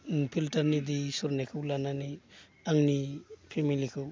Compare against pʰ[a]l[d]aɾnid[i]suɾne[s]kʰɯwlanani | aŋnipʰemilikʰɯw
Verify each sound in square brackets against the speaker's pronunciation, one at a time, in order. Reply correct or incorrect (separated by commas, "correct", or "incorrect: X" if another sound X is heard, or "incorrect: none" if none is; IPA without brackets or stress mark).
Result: incorrect: i, incorrect: t, correct, incorrect: none